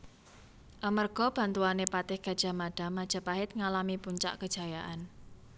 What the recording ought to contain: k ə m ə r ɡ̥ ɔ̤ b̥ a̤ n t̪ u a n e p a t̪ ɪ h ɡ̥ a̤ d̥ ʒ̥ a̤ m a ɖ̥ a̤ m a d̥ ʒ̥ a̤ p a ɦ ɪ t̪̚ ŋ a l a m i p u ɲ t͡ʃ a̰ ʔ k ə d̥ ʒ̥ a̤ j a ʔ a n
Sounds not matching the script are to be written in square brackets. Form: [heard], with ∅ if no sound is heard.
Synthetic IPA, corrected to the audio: [ʔ] ə m ə r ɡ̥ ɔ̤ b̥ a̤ n t̪ u a n e p a t̪ ɪ h ɡ̥ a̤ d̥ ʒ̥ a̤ m a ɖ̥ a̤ m a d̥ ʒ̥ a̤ p a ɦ ɪ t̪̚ ŋ a l a m i p u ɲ t͡ʃ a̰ ʔ k ə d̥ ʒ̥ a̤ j a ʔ a n